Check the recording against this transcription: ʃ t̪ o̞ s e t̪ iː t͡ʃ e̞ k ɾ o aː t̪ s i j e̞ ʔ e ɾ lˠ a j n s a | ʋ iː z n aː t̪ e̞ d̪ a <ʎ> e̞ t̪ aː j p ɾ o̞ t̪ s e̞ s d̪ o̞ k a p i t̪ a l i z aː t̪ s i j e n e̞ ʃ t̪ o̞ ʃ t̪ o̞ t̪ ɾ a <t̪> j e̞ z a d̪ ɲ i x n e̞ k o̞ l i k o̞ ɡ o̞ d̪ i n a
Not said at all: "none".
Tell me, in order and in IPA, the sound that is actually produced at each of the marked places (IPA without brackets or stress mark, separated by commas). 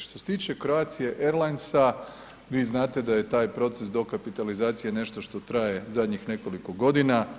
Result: j, none